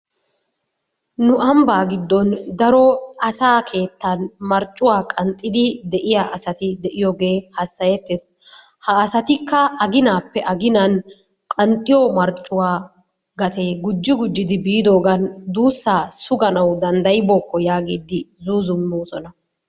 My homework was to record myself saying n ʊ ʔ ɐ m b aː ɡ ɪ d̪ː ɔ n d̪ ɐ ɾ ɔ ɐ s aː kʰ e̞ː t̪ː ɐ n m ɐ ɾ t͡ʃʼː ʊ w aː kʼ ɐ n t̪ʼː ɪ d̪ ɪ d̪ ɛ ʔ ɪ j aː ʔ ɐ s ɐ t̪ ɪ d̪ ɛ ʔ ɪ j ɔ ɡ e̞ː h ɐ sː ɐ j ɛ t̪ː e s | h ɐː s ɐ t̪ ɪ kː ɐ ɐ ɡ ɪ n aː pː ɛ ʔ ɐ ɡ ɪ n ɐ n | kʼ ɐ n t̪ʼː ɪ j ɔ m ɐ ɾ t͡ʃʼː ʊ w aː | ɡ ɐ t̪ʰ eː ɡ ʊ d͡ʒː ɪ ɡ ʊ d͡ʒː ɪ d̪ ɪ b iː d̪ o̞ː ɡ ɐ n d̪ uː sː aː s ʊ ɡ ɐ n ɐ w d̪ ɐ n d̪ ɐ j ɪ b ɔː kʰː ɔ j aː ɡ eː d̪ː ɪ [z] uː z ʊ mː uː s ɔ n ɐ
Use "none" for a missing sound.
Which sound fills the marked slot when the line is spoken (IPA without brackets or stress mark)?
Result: z